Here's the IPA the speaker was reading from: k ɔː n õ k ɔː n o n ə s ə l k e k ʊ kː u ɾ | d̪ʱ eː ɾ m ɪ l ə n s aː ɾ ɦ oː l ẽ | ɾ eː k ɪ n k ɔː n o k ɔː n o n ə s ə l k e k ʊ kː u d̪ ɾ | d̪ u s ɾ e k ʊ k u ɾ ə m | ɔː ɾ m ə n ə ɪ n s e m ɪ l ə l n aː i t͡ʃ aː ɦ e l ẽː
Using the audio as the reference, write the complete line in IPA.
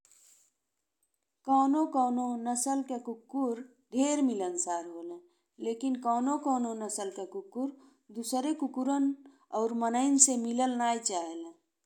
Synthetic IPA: k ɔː n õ k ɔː n o n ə s ə l k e k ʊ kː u ɾ | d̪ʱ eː ɾ m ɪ l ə n s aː ɾ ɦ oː l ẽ | l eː k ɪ n k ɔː n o k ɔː n o n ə s ə l k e k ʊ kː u ɾ | d̪ u s ɾ e k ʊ k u ɾ ə n | ɔː ɾ m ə n ə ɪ n s e m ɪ l ə l n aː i t͡ʃ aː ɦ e l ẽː